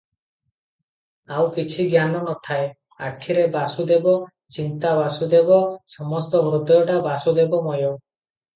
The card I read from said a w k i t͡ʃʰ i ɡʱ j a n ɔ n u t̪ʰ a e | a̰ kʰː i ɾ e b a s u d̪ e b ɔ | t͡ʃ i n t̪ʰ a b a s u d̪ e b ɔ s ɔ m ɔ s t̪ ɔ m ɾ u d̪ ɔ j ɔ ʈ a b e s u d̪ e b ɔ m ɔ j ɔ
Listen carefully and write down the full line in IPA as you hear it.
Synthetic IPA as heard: a w k i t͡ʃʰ i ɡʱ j a n ɔ n ɔ t̪ʰ a e | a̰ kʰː i ɾ e b a s u d̪ e b ɔ | t͡ʃ i n t̪ a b a s u d̪ e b ɔ s ɔ m ɔ s t̪ ɔ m ɾ u d̪ ɔ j ɔ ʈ a b a s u d̪ e b ɔ m ɔ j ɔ

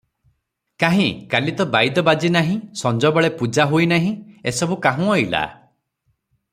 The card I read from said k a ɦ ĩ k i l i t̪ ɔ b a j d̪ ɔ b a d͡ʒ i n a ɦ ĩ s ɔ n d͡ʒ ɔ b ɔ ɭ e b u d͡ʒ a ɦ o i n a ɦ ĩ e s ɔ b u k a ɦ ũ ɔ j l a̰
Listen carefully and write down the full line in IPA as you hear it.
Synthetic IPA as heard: k a ɦ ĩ k a l i t̪ ɔ b a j d̪ ɔ b a d͡ʒ i n a ɦ ĩ s ɔ n d͡ʒ ɔ b ɔ ɭ e p u d͡ʒ a ɦ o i n a ɦ ĩ e s ɔ b u k a ɦ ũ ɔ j l a̰

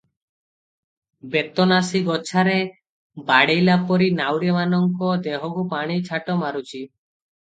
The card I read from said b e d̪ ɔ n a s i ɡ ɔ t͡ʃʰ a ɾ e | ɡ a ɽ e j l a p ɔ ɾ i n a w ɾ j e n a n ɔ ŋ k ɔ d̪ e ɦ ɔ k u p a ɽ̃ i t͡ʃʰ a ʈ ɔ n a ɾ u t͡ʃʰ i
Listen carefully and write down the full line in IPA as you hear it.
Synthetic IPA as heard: b e t̪ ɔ n a s i ɡ ɔ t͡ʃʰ a ɾ e | b a ɽ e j l a p ɔ ɾ i n a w ɾ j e m a n ɔ ŋ k ɔ d̪ e ɦ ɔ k u p a ɽ̃ i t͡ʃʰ a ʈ ɔ m a ɾ u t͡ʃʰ i

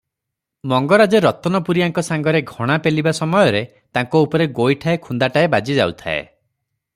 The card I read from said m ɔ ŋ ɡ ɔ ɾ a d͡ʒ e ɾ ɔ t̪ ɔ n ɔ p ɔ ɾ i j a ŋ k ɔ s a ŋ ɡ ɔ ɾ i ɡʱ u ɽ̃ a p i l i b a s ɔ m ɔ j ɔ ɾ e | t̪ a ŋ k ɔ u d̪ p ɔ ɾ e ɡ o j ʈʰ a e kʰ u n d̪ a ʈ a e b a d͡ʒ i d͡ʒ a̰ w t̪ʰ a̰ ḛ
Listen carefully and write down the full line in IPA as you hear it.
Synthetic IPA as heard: m ɔ ŋ ɡ ɔ ɾ a d͡ʒ e ɾ ɔ t̪ ɔ n ɔ p u ɾ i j a ŋ k ɔ s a ŋ ɡ ɔ ɾ e ɡʱ ɔ ɽ̃ a p e l i b a s ɔ m ɔ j ɔ ɾ e | t̪ a ŋ k ɔ u p ɔ ɾ e ɡ o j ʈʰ a e kʰ u n d̪ a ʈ a e b a d͡ʒ i d͡ʒ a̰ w t̪ʰ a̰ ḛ

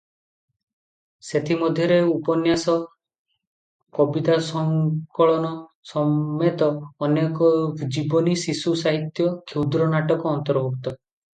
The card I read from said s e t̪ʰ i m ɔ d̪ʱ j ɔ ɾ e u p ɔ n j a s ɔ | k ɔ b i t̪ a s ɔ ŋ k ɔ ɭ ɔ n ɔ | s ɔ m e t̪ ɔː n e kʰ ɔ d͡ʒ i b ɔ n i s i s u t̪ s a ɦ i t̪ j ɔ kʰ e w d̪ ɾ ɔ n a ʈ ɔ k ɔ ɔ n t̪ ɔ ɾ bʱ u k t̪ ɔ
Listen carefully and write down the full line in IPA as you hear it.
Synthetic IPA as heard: s e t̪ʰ i m ɔ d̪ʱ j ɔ ɾ e u p ɔ n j a s ɔ | k ɔ b i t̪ a s ɔ ŋ k ɔ ɭ ɔ n ɔ | s ɔ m e t̪ ɔː n e k ɔ d͡ʒ i b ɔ n i s i s u s a ɦ i t̪ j ɔ kʰ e w d̪ ɾ ɔ n a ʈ ɔ k ɔ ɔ n t̪ ɔ ɾ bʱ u k t̪ ɔ

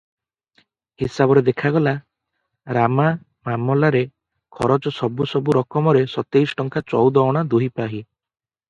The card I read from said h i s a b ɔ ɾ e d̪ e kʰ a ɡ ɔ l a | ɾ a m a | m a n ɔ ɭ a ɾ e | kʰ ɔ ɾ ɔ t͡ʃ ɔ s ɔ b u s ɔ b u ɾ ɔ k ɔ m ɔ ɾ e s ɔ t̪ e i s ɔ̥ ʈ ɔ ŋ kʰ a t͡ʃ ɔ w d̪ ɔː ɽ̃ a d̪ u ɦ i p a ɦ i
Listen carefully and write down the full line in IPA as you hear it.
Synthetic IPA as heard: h i s a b ɔ ɾ e d̪ e kʰ a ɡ ɔ l a | ɾ a m a | m a m ɔ l a ɾ e | kʰ ɔ ɾ ɔ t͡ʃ ɔ s ɔ b u s ɔ b u ɾ ɔ k ɔ m ɔ ɾ e s ɔ t̪ e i s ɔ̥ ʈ ɔ ŋ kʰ a t͡ʃ ɔ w d̪ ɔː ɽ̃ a d̪ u ɦ i p a ɦ i

